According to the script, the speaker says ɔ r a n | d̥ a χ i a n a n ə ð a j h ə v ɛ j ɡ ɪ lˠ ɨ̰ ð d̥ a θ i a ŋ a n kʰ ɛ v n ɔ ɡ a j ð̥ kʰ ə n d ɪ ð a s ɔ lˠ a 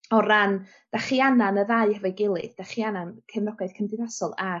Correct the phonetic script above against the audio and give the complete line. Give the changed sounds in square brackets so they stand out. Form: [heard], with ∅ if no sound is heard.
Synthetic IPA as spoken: ɔ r a n | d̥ a χ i a n a n ə ð a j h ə v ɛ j ɡ ɪ lˠ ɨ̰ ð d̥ a [χ] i a [n] a n kʰ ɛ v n ɔ ɡ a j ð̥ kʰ ə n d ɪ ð a s ɔ lˠ a

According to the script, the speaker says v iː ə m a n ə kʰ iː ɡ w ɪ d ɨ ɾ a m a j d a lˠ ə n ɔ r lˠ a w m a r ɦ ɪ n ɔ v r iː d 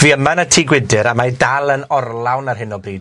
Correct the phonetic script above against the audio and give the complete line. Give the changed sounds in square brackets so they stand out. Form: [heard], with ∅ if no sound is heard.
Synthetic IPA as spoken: v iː ə m a n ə [tʰ] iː ɡ w ɪ d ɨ ɾ a m a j d a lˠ ə n ɔ r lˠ a w [n] a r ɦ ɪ n ɔ [b] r iː d

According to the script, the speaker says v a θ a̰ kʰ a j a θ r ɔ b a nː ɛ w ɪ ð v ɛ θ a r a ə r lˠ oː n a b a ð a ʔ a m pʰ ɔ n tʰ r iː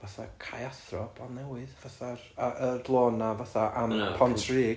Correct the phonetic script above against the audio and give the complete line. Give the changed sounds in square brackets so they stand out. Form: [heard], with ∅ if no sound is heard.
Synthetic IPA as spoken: v a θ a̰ kʰ a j a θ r ɔ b a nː ɛ w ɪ ð v [a] θ a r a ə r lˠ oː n a [v] a [θ] a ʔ a m pʰ ɔ n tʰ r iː

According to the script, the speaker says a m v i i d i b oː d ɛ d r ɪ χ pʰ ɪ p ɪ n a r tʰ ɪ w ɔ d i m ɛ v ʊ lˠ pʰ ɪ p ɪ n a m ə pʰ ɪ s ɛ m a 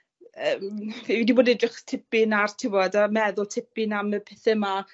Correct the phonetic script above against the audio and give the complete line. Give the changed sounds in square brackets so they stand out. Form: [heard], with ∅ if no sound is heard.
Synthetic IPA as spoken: [ə] m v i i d i b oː d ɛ d r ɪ χ [tʰ] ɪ p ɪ n a r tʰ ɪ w ɔ d [a] m ɛ [ð] ʊ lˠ [tʰ] ɪ p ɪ n a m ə pʰ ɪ [θ] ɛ m a

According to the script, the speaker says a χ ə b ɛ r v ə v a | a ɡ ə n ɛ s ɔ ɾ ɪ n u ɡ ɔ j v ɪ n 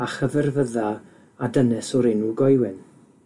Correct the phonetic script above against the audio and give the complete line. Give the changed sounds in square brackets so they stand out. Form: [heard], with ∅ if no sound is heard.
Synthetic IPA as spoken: a χ ə [v] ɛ r v ə [ð] a | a [d] ə n ɛ s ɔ ɾ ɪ n u ɡ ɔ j [w] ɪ n

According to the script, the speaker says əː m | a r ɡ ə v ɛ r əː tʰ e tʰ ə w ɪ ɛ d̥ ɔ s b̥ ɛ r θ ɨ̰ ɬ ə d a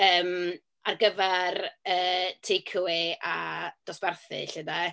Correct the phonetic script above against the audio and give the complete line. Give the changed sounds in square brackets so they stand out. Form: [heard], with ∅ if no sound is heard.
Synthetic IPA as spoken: əː m | a r ɡ ə v ɛ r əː tʰ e [kʰ] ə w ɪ [a] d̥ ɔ s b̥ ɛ r θ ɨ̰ ɬ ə d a

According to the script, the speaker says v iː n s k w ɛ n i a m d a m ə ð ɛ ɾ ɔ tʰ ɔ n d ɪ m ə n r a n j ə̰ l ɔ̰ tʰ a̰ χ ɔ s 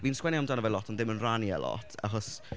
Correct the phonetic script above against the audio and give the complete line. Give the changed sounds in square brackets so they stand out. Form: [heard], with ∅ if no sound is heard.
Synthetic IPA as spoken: v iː n s k w ɛ n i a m d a [n] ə [v] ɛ [l] ɔ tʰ ɔ n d ɪ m ə n r a n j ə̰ l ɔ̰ tʰ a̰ χ ɔ s

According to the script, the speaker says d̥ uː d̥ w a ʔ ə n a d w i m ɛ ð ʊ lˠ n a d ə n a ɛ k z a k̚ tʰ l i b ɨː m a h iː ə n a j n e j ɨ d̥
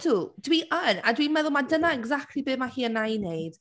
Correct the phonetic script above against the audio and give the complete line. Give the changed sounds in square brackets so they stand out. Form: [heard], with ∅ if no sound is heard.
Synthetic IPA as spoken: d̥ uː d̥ w [i] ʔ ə n a d w i m ɛ ð ʊ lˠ [m] a d ə n a ɛ [ɡ] z a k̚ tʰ l i b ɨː m a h iː ə n a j n e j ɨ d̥

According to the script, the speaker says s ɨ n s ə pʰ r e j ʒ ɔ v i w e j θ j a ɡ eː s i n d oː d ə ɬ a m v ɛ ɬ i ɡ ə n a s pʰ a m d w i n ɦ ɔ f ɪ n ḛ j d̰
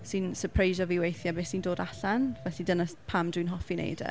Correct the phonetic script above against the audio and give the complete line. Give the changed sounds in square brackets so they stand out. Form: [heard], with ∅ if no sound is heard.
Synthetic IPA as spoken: s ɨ n s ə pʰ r e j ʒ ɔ v i w e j θ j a [b] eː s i n d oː d [a] ɬ a [n] v ɛ ɬ i [d] ə n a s pʰ a m d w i n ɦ ɔ f [i] n ḛ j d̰

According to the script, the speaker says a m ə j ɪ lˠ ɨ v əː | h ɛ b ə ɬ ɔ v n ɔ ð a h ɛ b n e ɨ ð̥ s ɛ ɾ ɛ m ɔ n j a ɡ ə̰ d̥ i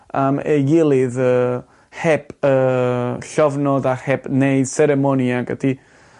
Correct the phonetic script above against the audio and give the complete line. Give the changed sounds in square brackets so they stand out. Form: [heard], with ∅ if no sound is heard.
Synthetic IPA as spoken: a m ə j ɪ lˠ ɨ [ð] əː | h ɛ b ə ɬ ɔ v n ɔ ð a h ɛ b n e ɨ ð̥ s ɛ ɾ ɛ m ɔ n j a ɡ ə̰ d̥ i

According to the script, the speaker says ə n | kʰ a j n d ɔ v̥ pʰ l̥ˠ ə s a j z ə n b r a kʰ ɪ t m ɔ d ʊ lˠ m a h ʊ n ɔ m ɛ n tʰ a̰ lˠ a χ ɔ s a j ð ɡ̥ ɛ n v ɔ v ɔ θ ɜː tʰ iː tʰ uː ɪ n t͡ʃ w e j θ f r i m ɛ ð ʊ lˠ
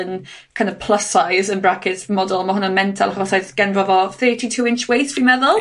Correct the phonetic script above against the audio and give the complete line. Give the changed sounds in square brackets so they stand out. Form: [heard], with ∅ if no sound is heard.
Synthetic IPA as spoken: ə n | kʰ a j n d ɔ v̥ pʰ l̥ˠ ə s a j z ə n b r a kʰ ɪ t m ɔ d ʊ lˠ m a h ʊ n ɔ m ɛ n tʰ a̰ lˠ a χ ɔ s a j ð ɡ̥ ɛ n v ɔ v ɔ θ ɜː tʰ [i] tʰ uː ɪ n t͡ʃ w e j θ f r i m ɛ ð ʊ lˠ

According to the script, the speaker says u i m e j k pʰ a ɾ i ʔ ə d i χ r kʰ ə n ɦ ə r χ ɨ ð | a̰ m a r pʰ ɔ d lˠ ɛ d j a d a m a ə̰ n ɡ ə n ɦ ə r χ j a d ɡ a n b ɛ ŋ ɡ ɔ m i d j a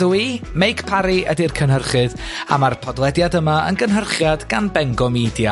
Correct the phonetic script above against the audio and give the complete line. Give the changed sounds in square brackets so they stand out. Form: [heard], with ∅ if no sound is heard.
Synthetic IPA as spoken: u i m e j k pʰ a ɾ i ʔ ə d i [∅] r kʰ ə n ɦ ə r χ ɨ ð | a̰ m a r pʰ ɔ d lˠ ɛ d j a d [ə] m a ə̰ n ɡ ə n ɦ ə r χ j a d ɡ a n b ɛ ŋ ɡ ɔ m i d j a

